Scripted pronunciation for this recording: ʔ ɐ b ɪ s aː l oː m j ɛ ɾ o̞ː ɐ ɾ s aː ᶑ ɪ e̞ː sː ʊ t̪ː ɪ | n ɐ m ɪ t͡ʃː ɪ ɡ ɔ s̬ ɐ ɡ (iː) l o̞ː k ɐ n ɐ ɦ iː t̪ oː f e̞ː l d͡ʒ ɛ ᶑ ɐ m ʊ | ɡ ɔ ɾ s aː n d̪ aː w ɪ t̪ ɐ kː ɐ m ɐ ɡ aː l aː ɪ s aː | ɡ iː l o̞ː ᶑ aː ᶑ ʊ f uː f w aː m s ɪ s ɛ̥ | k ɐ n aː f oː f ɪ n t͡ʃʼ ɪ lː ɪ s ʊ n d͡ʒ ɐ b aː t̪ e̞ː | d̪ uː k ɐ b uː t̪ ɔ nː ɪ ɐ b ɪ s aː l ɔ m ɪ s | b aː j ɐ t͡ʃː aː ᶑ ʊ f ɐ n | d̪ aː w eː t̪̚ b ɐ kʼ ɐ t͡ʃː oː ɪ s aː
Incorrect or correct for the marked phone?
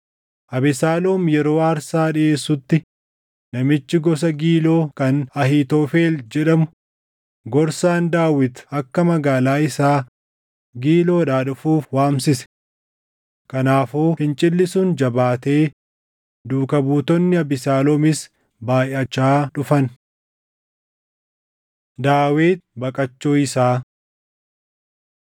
correct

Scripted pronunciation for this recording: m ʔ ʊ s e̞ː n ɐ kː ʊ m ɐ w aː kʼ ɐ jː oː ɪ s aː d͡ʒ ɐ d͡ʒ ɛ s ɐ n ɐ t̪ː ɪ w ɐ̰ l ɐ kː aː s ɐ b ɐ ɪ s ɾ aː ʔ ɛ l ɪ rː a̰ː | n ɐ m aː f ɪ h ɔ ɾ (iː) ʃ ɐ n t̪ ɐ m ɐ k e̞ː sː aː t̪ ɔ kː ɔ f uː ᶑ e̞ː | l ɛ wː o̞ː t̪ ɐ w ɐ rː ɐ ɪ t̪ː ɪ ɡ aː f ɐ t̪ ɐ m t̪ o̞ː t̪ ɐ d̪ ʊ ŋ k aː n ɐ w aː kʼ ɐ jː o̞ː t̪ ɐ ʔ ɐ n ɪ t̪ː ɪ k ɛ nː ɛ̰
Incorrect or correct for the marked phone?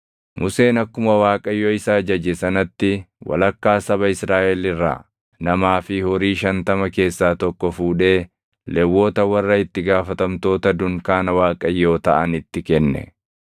correct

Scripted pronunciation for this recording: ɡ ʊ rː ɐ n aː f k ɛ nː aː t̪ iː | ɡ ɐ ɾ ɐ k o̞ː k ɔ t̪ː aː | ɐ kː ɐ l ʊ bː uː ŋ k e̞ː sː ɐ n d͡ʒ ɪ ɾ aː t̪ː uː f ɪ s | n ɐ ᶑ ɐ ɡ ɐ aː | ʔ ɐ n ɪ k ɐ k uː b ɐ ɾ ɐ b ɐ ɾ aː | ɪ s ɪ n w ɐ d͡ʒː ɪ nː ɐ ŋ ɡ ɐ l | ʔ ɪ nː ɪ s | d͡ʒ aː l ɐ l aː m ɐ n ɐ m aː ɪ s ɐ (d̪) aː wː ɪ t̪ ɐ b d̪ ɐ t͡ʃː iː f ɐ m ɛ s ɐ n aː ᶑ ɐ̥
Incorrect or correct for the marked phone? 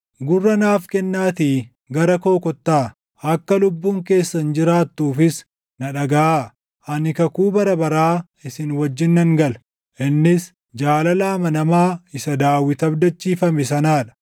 correct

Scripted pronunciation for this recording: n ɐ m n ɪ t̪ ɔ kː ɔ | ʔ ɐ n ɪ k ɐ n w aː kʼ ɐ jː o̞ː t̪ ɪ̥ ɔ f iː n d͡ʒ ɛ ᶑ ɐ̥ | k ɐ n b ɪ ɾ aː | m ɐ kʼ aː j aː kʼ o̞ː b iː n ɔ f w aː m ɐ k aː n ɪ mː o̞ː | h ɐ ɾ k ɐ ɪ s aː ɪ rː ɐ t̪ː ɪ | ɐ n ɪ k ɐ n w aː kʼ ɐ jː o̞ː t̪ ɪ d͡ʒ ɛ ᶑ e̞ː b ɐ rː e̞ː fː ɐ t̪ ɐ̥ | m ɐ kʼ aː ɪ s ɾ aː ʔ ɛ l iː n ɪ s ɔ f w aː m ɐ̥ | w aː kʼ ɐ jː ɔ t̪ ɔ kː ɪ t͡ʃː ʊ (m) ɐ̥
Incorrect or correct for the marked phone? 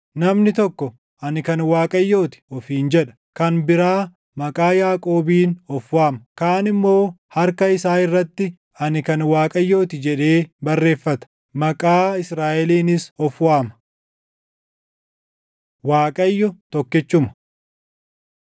correct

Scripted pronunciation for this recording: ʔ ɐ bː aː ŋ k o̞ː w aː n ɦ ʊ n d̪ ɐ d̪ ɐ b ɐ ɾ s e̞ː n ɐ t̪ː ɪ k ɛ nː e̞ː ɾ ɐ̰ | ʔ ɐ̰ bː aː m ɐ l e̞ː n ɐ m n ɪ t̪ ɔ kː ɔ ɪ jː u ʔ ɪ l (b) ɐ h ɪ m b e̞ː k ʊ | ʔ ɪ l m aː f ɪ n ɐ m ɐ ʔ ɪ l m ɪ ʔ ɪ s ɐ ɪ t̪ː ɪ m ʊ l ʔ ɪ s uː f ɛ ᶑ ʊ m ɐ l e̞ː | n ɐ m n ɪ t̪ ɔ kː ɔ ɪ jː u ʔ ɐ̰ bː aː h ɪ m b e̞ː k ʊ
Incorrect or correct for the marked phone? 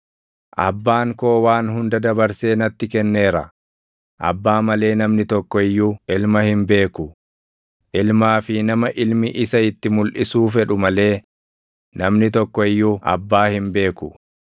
incorrect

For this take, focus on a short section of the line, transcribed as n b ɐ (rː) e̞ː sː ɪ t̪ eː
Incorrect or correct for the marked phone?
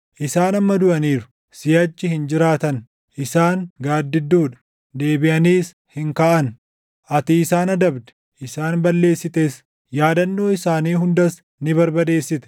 incorrect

